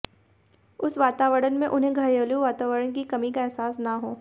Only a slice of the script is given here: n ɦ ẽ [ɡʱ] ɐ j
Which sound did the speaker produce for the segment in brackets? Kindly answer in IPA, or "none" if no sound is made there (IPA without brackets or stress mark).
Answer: ɡʱ